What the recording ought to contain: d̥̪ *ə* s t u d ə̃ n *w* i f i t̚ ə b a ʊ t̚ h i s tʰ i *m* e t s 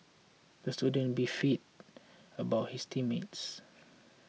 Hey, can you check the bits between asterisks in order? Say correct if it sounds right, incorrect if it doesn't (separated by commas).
correct, incorrect, correct